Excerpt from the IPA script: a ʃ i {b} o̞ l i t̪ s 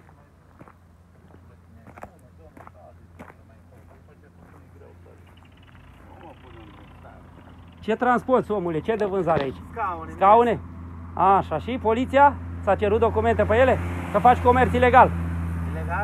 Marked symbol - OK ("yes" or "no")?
no